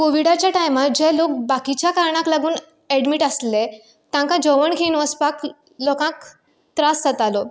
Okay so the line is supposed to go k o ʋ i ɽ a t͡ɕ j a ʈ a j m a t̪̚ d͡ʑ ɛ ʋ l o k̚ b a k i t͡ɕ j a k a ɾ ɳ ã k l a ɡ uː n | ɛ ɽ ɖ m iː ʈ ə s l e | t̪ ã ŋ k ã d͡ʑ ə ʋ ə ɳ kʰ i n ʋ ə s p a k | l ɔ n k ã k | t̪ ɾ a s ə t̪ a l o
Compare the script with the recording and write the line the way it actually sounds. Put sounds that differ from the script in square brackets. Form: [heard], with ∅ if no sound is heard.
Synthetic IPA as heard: k o ʋ i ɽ a t͡ɕ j a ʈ a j m a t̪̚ d͡ʑ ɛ [∅] l o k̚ b a k i t͡ɕ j a k a ɾ ɳ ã k l a ɡ uː n | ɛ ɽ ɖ m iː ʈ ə s l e | t̪ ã ŋ k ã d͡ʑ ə ʋ ə ɳ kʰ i n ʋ ə s p a k | l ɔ [∅] k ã k | t̪ ɾ a s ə t̪ a l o